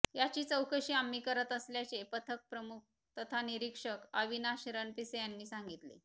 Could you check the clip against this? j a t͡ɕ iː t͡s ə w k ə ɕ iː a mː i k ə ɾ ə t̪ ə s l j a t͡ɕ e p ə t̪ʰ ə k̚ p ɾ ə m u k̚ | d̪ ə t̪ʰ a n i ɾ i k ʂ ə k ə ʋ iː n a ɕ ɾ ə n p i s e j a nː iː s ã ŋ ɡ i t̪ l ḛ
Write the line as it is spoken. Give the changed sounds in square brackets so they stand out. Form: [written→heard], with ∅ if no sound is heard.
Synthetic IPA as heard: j a t͡ɕ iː t͡s ə w k ə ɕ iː a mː i k ə ɾ ə t̪ ə s l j a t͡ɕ e p ə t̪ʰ ə k̚ p ɾ ə m u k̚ | [d̪→t̪] ə t̪ʰ a n i ɾ i k ʂ ə k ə ʋ [iː→i] n a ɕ ɾ ə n p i s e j a nː iː s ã ŋ ɡ i t̪ l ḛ